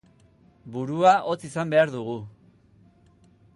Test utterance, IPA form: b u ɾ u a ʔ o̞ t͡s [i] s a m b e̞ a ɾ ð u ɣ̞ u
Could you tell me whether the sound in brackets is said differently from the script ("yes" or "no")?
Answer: no